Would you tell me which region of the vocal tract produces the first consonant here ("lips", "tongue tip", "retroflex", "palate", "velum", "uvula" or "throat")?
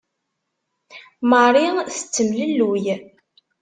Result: lips